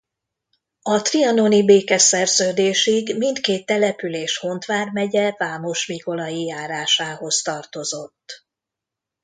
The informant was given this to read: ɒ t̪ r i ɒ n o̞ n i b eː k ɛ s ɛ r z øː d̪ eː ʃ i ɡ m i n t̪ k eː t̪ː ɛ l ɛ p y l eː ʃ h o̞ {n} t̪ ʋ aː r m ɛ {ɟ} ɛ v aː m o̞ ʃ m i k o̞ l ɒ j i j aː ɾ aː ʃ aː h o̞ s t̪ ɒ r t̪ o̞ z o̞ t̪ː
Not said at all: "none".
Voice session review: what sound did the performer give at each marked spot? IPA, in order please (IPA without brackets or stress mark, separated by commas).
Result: n, ɟ